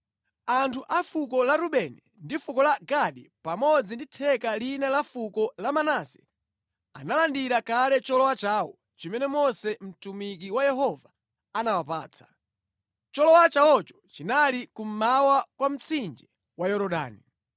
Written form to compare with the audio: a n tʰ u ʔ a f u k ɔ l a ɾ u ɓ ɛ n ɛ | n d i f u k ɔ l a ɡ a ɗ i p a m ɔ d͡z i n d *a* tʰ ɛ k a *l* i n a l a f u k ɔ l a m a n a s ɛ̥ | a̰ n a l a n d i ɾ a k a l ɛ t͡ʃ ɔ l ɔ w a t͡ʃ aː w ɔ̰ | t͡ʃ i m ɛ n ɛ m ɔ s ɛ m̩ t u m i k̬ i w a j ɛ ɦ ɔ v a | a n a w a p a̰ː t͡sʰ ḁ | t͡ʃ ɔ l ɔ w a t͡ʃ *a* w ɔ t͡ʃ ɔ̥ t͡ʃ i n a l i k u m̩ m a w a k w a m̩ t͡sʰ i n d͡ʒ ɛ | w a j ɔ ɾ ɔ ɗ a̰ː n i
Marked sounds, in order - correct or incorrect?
incorrect: i, correct, correct

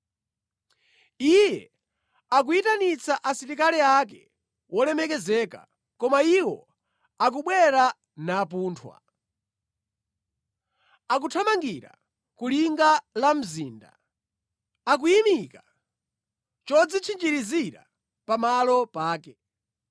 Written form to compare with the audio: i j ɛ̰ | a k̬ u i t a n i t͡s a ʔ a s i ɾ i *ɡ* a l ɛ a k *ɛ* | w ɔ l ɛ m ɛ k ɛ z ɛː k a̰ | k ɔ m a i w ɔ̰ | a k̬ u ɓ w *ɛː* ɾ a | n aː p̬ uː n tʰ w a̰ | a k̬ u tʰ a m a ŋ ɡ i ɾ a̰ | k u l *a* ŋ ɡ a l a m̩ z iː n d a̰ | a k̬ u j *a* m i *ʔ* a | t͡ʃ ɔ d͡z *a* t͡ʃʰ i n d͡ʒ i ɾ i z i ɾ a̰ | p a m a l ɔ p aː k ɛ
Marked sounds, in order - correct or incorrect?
incorrect: k, correct, incorrect: ɛ, incorrect: i, incorrect: i, incorrect: k, incorrect: i

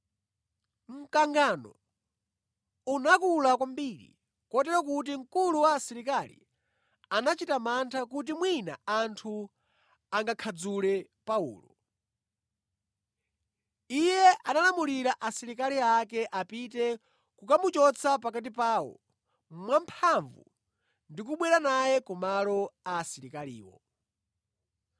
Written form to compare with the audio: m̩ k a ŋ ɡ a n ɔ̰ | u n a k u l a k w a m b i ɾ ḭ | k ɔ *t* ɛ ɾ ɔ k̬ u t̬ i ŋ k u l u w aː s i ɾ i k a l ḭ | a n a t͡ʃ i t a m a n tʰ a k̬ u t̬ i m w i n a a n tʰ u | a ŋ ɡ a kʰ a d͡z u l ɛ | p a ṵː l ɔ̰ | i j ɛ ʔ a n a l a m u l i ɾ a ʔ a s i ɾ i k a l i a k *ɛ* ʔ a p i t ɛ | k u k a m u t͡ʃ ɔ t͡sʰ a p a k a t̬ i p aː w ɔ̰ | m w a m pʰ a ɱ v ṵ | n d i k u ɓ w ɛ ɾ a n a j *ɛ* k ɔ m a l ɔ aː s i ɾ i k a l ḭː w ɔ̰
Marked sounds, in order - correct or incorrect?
correct, correct, correct

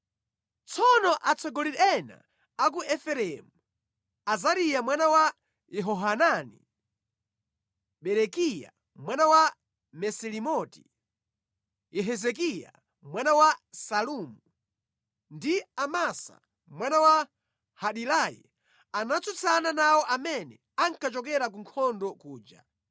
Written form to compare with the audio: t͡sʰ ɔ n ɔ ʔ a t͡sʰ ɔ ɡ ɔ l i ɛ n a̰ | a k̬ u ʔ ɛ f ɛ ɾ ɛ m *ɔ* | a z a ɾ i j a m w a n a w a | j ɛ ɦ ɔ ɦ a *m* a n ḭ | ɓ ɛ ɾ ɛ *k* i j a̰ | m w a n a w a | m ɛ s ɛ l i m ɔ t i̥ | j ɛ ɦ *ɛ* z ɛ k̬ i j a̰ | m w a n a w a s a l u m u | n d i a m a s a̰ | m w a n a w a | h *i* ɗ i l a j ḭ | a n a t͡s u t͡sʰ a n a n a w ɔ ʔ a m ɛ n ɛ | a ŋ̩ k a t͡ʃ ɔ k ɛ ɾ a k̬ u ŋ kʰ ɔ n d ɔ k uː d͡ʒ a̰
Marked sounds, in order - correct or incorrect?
incorrect: u, incorrect: n, correct, correct, incorrect: a

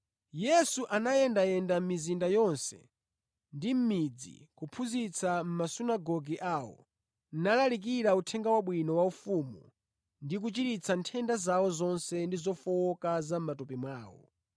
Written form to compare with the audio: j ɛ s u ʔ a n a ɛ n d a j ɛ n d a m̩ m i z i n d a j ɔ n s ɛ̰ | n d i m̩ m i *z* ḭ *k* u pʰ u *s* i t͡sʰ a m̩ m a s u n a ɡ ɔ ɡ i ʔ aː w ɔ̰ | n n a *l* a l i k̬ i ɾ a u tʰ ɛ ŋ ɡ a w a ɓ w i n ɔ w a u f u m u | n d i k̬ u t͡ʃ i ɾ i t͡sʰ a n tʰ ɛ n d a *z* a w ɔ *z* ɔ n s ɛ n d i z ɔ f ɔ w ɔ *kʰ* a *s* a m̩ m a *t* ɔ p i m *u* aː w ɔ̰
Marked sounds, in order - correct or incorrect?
incorrect: d͡z, correct, incorrect: z, correct, correct, correct, incorrect: k, incorrect: z, correct, incorrect: w

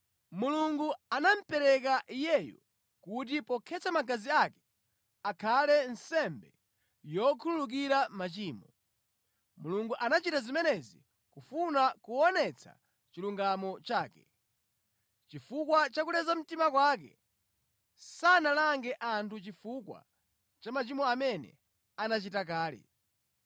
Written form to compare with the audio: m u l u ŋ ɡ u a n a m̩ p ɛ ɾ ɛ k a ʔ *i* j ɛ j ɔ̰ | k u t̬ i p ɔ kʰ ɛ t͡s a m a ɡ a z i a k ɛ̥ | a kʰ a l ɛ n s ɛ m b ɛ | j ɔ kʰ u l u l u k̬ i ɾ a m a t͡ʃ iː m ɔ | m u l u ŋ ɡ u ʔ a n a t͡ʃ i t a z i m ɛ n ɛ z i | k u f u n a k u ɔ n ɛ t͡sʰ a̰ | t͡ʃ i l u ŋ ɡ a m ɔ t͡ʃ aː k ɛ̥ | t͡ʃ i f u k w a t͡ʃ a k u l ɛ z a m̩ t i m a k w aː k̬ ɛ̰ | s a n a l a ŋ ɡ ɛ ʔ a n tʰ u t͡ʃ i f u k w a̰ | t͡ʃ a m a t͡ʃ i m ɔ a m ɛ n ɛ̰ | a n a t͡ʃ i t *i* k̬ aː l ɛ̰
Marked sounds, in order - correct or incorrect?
correct, incorrect: a

